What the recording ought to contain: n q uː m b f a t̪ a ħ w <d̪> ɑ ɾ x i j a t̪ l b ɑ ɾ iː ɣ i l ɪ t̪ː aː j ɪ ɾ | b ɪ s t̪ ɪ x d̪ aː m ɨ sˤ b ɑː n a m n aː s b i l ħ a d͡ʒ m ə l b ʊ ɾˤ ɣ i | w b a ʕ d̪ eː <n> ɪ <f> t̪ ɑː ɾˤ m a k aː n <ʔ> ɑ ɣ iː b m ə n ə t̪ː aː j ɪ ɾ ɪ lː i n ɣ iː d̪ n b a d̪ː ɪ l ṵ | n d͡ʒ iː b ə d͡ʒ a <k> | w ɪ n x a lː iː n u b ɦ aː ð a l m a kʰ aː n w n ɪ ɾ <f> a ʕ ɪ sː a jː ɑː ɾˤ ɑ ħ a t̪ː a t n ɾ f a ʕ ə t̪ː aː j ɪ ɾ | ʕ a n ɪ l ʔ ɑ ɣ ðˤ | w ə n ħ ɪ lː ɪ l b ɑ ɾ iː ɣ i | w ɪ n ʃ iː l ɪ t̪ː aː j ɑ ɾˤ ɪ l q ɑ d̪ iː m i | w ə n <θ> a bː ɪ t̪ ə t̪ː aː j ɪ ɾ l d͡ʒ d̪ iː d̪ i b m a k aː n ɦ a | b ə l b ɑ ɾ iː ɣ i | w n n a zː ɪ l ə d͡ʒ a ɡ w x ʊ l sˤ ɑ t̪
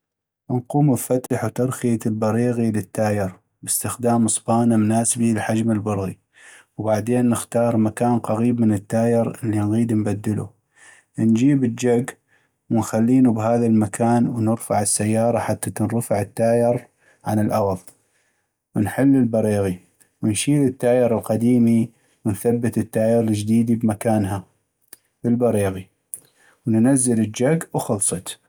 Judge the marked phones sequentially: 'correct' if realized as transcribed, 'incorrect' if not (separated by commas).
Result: incorrect, incorrect, incorrect, incorrect, incorrect, correct, correct